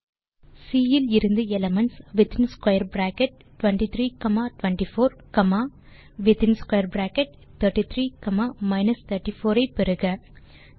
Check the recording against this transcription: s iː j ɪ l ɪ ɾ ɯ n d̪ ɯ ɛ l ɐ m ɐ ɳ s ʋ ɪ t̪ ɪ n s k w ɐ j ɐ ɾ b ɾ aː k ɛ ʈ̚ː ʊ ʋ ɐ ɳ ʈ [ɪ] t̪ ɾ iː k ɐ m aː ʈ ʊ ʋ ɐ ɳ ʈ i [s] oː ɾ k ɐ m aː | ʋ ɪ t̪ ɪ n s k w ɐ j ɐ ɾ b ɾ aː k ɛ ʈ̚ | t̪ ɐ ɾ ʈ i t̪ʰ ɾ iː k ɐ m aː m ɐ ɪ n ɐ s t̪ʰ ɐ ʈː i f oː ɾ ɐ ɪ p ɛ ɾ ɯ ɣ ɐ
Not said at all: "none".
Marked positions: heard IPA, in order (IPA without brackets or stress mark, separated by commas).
i, f